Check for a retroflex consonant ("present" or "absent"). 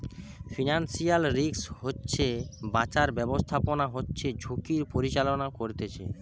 absent